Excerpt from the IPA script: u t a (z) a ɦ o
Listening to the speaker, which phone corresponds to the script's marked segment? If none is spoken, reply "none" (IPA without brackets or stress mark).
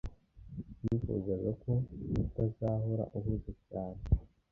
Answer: z